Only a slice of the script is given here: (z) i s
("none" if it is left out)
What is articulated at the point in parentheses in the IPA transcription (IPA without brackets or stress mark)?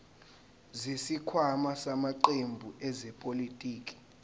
z